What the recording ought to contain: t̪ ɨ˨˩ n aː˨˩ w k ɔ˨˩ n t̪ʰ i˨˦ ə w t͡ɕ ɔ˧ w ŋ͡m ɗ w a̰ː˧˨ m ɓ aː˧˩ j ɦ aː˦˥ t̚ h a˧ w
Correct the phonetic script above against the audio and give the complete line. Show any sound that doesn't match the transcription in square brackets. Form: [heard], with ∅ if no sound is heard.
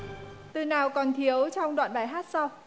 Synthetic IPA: t̪ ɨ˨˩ n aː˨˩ w k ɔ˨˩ n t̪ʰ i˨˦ ə w t͡ɕ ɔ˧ w ŋ͡m ɗ w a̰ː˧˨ [n] ɓ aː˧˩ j ɦ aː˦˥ t̚ [s] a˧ w

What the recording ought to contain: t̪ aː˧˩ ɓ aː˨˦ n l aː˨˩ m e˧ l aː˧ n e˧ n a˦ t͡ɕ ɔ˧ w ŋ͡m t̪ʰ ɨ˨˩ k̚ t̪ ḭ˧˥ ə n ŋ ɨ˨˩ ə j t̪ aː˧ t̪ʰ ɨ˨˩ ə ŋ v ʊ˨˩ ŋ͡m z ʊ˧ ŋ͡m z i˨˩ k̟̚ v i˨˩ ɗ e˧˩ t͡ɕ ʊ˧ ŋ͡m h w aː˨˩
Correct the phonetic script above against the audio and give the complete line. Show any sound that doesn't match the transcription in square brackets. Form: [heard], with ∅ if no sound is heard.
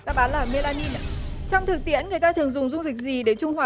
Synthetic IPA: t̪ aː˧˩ ɓ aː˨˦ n l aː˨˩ m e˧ l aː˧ n [i˧] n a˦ t͡ɕ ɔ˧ w ŋ͡m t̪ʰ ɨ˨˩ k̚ t̪ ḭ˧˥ ə n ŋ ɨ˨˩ ə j t̪ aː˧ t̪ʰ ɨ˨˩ ə ŋ [z] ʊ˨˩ ŋ͡m z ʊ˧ ŋ͡m z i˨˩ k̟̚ [z] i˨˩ ɗ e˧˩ t͡ɕ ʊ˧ ŋ͡m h w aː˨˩

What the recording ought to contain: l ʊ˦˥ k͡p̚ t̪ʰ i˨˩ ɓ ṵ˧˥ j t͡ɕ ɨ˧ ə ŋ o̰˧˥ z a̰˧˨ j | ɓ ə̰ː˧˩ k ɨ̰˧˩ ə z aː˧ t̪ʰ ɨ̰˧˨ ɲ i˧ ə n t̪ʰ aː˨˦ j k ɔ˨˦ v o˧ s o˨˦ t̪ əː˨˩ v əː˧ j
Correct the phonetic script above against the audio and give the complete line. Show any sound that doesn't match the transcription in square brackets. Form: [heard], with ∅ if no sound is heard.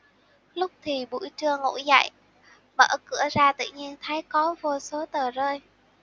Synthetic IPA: l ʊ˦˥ k͡p̚ t̪ʰ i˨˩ ɓ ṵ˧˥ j t͡ɕ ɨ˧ ə ŋ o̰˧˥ z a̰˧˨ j | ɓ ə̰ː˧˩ k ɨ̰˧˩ ə z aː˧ [t̪] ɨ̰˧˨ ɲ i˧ ə n t̪ʰ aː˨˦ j k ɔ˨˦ v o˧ s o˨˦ t̪ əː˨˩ [z] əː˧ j

